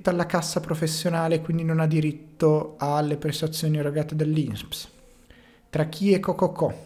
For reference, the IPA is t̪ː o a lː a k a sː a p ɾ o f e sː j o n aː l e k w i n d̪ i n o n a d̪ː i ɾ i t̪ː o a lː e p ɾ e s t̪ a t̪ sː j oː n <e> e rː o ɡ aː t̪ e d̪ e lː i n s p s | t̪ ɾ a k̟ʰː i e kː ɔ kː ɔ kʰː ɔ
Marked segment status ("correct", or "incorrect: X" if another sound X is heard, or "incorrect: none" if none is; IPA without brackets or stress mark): incorrect: i